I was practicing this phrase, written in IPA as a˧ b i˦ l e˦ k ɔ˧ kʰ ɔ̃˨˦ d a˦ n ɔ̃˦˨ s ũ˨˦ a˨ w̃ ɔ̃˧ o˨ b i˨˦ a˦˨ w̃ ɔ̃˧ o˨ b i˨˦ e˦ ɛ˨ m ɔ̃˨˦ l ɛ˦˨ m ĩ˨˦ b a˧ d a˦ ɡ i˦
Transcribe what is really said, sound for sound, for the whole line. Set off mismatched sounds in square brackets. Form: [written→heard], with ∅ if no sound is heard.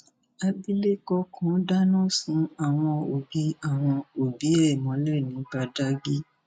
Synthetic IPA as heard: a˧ b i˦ l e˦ k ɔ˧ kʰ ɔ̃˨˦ d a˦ n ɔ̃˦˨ s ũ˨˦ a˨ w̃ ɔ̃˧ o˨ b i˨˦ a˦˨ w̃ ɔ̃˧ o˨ b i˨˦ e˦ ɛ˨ m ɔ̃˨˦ l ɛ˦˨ [m→n] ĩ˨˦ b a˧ d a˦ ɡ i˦